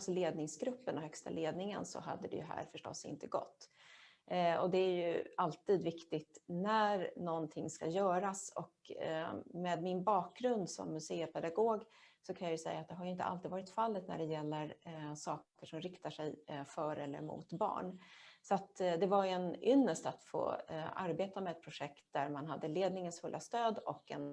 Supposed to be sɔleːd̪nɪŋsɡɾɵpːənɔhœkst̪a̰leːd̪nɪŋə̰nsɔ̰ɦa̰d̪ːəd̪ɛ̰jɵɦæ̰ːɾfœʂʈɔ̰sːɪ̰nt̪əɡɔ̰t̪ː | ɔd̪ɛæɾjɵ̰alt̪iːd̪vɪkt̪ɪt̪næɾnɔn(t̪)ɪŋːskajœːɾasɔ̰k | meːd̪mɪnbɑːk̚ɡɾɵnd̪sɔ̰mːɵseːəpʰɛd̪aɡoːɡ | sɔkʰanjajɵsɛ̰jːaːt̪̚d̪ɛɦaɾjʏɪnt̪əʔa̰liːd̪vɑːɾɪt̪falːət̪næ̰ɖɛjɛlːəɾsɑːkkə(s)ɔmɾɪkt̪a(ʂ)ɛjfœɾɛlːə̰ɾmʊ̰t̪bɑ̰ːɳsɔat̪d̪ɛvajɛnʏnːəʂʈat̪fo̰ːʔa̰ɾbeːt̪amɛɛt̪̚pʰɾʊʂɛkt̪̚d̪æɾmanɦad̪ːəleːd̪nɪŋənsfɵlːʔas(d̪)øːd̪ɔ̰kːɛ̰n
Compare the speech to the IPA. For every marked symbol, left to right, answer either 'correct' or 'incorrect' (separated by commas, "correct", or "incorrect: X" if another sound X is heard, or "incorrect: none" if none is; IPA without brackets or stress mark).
incorrect: t̪ʰ, incorrect: ʂ, correct, incorrect: t̪